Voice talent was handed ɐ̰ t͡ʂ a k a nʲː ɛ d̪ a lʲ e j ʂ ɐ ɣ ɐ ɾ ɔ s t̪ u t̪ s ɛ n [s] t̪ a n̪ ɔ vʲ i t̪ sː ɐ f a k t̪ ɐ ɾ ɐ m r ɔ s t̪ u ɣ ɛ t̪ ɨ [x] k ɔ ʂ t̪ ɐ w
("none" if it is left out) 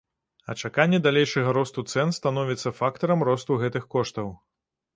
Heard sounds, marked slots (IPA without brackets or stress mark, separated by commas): s, x